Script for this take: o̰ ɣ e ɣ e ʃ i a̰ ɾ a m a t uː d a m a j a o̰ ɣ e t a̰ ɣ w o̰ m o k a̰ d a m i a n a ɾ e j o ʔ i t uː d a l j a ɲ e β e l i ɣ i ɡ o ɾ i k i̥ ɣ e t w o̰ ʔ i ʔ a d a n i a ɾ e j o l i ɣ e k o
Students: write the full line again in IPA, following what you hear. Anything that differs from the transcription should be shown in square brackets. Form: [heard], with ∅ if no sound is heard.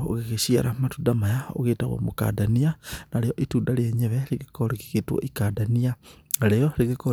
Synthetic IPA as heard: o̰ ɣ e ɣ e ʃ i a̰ ɾ a m a t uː d a m a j a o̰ ɣ e t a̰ ɣ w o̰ m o k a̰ d a [n] i a n a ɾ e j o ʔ i t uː d a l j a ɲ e β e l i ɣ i [k] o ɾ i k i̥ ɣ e t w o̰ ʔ i [k] a d a n i a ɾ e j o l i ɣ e k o